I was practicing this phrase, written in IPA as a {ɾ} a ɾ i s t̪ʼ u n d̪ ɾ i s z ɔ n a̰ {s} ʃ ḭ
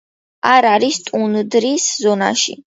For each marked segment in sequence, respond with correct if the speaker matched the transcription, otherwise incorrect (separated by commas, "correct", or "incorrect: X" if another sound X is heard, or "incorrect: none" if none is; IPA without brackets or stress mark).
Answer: correct, incorrect: none